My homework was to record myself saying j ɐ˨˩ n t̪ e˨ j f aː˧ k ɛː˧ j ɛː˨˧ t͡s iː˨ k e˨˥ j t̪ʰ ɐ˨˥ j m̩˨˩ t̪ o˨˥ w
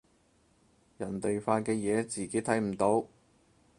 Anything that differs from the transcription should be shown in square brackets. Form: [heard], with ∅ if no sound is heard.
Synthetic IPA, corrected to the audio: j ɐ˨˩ n t̪ e˨ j f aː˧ k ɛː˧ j ɛː˨˧ t͡s iː˨ k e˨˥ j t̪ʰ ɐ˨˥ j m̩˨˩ t̪ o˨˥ w